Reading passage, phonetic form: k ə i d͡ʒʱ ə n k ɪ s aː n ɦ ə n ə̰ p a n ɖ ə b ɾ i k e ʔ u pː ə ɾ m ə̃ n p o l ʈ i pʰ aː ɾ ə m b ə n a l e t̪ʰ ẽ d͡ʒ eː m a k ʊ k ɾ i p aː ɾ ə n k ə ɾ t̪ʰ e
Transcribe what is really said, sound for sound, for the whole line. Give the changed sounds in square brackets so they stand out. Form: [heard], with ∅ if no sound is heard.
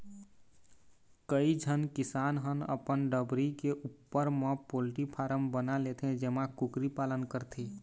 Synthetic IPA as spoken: k ə i d͡ʒʱ ə n k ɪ s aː n ɦ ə n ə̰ p [ə] n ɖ ə b ɾ i k e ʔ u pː ə ɾ m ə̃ [∅] p o l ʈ i pʰ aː ɾ ə m b ə n a l e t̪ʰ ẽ d͡ʒ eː m a k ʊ k ɾ i p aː [l] ə n k ə ɾ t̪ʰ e